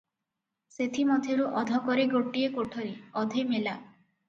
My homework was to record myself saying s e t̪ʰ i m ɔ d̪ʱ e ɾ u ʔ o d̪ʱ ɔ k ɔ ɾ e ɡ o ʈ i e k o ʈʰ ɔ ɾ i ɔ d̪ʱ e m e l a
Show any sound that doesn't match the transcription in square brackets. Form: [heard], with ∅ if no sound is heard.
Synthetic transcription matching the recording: s e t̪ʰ i m ɔ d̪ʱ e ɾ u ʔ [ɔ] d̪ʱ ɔ k ɔ ɾ e ɡ o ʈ i e k o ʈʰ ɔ ɾ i ɔ d̪ʱ e m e l a